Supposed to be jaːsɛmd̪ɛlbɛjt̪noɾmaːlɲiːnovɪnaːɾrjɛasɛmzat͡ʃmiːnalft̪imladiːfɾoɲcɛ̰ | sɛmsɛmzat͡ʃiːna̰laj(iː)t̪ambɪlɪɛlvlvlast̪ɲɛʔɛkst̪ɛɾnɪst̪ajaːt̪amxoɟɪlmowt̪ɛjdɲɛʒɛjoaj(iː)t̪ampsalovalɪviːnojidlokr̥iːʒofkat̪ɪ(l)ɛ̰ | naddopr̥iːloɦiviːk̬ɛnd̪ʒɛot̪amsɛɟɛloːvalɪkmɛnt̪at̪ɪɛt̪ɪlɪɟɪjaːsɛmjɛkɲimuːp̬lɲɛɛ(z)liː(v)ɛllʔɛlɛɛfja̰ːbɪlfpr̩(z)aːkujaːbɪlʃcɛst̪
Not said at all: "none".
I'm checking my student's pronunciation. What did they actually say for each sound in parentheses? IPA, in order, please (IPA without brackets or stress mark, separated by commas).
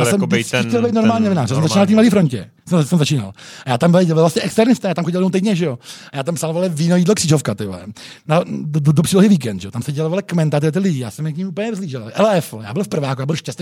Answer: aː, aː, l, z, ʒ, v